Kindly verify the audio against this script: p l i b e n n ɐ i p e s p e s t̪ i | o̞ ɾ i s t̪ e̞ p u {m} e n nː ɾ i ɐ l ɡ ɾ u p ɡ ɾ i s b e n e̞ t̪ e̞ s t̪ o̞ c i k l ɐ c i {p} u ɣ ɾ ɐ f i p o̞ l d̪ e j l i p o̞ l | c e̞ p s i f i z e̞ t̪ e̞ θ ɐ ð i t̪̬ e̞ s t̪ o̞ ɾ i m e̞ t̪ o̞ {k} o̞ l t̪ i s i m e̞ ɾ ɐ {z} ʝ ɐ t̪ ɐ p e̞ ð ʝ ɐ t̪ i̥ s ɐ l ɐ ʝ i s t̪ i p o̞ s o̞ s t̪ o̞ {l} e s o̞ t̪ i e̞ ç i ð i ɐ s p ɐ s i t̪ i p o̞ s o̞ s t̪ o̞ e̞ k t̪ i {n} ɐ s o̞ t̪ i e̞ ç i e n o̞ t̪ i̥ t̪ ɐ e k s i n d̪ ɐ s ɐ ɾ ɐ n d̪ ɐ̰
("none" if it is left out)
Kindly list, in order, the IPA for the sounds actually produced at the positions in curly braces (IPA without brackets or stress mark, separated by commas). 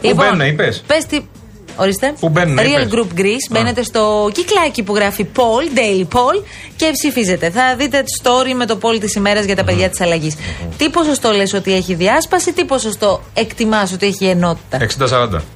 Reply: b, p, p, z, l, m